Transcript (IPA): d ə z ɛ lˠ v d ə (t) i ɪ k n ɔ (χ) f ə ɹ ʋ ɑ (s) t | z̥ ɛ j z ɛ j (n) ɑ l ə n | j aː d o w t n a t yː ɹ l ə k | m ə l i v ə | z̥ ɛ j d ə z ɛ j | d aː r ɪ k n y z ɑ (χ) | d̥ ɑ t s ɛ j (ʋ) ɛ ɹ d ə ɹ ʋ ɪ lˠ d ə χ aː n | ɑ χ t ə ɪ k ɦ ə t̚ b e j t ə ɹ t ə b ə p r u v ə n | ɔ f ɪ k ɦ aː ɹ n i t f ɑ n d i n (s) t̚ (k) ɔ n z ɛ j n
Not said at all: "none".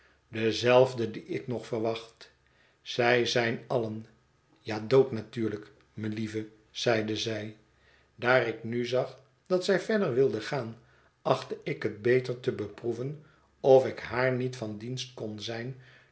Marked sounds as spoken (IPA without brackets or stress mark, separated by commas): d, χ, χ, n, χ, v, s, k